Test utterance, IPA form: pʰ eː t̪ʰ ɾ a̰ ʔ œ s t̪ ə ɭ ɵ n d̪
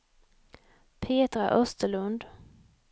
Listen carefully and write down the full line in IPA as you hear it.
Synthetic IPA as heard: pʰ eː t̪ ɾ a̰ ʔ œ s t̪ ə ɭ ɵ n d̪